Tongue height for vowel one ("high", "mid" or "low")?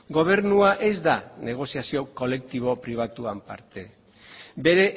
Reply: mid